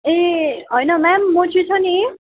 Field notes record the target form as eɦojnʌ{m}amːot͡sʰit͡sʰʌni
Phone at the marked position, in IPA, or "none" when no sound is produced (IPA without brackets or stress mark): m